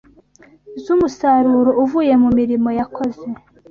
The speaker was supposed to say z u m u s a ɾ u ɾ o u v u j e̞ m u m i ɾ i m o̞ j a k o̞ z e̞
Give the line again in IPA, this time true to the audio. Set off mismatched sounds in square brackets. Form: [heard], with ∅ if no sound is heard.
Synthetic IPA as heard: z u m u s a ɾ u ɾ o u v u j e̞ m u m i ɾ i m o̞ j a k o̞ z e̞